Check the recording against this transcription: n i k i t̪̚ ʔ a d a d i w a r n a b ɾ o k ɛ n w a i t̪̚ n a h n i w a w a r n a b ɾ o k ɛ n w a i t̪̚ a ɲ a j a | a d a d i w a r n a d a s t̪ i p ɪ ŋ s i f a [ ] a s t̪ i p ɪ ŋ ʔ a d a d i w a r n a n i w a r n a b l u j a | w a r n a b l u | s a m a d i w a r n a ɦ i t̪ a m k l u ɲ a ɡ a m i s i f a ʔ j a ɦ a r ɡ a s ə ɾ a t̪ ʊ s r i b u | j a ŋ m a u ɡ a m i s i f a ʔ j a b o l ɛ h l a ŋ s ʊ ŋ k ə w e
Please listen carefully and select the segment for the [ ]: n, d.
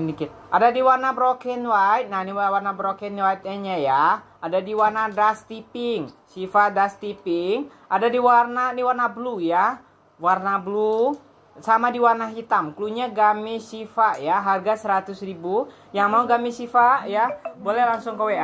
d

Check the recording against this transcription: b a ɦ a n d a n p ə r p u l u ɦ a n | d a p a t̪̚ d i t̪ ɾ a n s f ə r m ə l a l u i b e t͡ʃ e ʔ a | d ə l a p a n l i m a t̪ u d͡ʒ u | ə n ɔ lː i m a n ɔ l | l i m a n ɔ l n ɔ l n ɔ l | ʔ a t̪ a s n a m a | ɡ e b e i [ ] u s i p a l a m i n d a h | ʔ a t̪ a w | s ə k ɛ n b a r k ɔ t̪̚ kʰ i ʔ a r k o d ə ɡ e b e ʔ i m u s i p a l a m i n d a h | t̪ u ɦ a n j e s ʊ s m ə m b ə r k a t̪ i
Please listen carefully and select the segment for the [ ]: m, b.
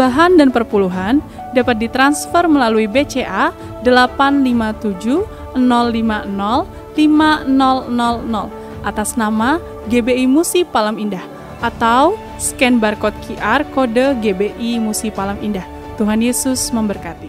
m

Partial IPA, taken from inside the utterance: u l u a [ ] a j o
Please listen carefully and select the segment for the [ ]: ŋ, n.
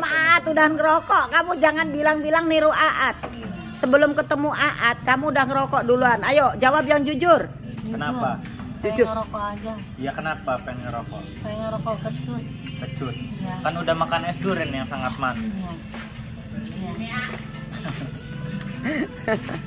n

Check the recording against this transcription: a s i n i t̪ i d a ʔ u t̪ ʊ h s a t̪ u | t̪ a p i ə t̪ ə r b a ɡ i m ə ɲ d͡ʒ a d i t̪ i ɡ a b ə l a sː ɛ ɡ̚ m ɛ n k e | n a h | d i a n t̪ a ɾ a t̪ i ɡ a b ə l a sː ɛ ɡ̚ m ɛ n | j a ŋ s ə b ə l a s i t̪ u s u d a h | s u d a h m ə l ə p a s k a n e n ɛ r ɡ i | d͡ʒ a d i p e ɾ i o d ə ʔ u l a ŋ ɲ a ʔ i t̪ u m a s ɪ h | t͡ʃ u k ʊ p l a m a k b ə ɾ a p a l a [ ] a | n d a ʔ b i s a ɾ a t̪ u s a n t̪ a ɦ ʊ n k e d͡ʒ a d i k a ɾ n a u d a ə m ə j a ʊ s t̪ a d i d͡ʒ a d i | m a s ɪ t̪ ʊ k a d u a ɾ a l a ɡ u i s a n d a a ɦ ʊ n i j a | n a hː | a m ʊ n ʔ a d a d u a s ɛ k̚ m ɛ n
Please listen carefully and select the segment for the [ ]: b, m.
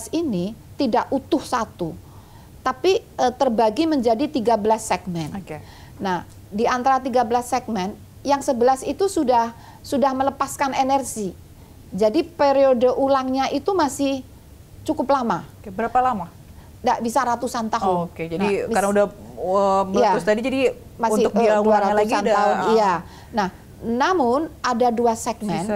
m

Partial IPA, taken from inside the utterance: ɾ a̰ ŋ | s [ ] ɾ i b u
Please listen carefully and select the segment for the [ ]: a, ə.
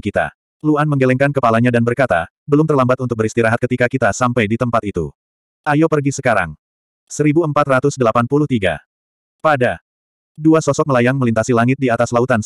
ə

